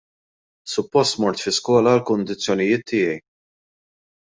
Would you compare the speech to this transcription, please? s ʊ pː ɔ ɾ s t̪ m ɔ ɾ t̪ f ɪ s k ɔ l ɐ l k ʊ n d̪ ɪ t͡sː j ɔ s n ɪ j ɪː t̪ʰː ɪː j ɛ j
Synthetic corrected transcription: s ʊ pː ɔ s t̪ m ɔ ɾ t̪ f ɪ s k ɔː l ɐ l k ʊ n d̪ ɪ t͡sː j ɔ n ɪ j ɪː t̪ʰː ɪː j ɛ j